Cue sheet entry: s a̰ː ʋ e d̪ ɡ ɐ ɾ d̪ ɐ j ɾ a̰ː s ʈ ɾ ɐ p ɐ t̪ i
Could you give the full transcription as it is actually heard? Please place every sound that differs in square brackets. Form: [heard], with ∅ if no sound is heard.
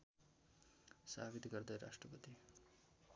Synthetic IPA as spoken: s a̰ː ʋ [i] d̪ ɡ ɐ ɾ d̪ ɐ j ɾ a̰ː [ʂ] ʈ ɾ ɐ p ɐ t̪ i